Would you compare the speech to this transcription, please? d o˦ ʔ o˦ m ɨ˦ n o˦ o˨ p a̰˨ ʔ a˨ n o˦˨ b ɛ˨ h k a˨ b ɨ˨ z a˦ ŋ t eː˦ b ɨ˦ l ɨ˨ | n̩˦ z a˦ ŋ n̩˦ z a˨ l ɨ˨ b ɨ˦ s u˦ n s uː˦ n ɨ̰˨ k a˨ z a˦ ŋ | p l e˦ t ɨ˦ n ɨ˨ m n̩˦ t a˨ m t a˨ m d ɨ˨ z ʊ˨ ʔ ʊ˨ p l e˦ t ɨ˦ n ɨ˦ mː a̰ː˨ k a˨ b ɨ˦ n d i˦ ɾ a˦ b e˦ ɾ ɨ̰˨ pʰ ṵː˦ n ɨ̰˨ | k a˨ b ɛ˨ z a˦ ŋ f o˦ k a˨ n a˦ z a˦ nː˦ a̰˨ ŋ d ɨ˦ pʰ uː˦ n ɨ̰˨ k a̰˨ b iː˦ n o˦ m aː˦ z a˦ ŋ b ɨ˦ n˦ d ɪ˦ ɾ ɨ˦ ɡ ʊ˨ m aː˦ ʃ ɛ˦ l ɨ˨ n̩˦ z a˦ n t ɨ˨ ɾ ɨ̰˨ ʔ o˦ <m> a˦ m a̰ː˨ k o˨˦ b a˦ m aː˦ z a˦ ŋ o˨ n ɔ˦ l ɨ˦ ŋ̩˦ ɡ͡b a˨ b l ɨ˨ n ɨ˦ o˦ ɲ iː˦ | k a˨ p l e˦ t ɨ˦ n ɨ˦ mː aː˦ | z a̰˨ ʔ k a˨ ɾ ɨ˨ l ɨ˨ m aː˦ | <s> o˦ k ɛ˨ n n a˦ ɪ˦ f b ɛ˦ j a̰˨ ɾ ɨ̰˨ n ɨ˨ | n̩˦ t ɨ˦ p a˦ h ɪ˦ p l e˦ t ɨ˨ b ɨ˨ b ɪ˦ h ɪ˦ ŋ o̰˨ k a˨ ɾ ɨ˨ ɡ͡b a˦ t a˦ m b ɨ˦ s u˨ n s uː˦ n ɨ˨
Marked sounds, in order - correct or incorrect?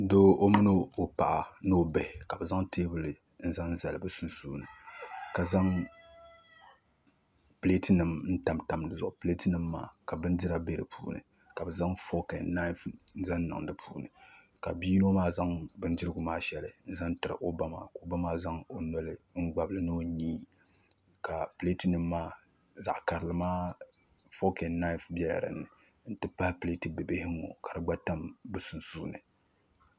incorrect: b, incorrect: f

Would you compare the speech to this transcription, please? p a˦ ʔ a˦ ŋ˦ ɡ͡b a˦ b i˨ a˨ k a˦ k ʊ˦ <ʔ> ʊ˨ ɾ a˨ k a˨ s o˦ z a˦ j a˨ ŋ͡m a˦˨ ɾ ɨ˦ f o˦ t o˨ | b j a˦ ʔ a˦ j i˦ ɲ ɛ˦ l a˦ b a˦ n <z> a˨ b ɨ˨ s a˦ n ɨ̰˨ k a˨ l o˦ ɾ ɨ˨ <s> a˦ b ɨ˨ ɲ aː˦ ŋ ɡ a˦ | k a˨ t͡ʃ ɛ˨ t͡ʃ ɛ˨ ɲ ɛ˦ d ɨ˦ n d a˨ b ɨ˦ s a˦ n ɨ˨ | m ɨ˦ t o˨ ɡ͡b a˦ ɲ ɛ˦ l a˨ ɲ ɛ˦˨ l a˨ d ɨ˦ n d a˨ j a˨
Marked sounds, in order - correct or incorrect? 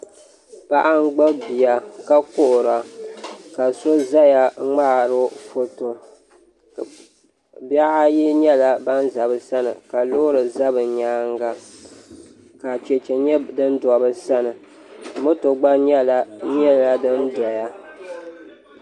correct, correct, incorrect: z

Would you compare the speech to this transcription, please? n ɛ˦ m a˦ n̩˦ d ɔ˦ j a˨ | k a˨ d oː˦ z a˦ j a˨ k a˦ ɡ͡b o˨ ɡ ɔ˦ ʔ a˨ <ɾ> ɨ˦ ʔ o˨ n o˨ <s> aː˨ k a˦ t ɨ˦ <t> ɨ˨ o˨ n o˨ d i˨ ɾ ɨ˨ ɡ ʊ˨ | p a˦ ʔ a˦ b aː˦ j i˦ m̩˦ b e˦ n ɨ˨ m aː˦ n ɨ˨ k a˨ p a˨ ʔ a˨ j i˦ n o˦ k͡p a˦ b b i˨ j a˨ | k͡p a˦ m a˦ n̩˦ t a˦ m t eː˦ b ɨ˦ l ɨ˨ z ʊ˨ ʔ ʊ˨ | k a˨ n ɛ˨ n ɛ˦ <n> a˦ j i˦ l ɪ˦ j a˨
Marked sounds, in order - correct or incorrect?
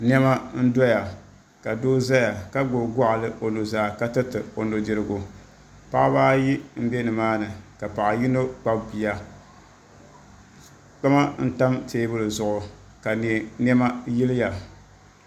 incorrect: l, incorrect: z, correct, incorrect: m

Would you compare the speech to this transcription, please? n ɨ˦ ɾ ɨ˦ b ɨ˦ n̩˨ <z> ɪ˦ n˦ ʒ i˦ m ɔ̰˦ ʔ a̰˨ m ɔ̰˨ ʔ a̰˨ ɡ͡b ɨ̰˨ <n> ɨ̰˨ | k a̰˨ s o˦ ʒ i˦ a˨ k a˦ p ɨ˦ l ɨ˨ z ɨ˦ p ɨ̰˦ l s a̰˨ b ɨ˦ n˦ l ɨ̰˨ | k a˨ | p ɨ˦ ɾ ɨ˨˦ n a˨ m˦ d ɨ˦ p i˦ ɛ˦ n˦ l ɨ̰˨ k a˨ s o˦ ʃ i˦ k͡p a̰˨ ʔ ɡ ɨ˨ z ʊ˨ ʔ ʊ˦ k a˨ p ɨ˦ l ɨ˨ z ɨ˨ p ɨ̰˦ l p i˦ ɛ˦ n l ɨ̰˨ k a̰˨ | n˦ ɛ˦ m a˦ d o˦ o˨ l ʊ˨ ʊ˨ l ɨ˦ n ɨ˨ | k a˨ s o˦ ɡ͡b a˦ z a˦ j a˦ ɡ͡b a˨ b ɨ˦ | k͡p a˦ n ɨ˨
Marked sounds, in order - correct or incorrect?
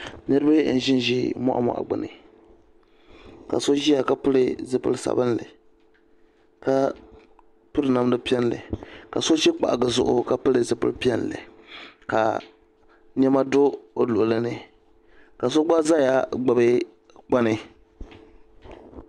incorrect: ʒ, correct

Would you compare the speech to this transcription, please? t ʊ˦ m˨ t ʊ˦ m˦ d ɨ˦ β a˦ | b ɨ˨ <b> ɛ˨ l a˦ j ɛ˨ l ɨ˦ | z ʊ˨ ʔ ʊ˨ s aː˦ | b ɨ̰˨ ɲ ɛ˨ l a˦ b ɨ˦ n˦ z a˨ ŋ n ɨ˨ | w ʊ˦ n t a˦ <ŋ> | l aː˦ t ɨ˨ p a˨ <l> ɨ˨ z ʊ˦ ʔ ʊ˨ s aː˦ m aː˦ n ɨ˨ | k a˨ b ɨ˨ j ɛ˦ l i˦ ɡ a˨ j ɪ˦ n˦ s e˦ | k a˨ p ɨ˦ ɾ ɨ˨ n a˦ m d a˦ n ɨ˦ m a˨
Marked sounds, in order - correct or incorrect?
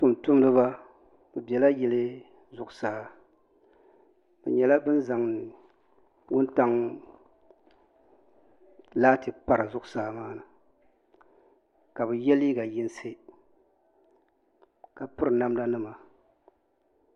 correct, correct, incorrect: ɾ

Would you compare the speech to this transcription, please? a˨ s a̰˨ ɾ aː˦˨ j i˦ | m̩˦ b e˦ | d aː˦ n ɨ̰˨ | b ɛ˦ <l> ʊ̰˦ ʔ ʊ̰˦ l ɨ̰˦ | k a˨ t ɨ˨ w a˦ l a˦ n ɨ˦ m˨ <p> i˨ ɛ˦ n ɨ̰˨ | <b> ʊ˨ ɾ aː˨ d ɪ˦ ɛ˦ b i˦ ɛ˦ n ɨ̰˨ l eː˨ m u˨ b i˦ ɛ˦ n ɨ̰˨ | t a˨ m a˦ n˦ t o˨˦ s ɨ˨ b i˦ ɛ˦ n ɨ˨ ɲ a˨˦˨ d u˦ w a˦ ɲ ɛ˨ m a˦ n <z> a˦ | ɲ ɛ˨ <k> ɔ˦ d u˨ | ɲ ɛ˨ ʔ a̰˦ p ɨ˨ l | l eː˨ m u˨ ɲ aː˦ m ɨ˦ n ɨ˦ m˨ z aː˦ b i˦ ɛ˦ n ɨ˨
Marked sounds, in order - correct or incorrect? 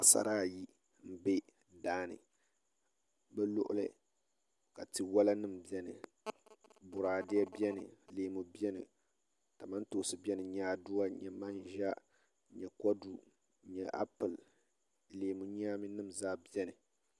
correct, incorrect: b, correct, incorrect: ʒ, correct

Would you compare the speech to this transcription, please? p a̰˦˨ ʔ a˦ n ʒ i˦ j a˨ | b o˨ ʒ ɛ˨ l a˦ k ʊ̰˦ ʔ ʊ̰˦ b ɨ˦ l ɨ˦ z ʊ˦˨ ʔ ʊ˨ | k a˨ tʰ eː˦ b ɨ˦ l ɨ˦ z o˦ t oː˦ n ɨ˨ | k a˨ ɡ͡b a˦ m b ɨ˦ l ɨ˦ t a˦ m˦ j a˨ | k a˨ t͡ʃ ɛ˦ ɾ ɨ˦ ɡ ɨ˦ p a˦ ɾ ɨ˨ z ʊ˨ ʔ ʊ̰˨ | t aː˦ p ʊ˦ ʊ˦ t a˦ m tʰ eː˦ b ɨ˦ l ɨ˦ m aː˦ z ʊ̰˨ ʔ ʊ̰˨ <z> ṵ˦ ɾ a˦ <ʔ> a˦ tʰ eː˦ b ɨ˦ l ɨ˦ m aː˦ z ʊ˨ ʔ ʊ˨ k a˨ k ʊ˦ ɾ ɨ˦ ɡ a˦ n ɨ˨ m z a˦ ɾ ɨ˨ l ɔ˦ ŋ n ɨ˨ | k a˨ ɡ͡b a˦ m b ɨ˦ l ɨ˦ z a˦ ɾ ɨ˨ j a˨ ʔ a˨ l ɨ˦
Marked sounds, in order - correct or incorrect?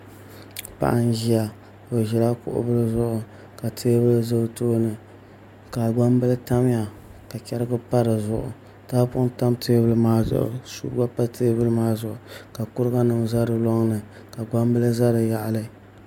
incorrect: s, incorrect: p

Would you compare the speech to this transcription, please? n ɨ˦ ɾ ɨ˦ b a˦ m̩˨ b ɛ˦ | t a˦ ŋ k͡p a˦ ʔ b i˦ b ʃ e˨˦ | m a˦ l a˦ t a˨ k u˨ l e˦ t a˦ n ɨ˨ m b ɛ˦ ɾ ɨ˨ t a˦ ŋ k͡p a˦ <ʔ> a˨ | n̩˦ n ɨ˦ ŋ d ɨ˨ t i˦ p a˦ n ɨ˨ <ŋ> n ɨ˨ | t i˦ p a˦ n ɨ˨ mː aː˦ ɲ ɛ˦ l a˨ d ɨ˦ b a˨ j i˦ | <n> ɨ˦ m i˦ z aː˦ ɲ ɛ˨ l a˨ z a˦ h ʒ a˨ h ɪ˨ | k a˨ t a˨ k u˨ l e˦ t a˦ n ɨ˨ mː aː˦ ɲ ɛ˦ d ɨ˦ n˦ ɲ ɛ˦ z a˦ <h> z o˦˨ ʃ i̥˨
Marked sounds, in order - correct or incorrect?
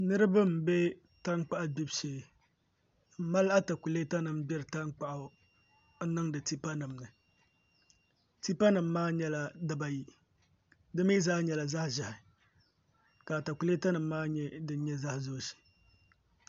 correct, incorrect: m, incorrect: d, correct

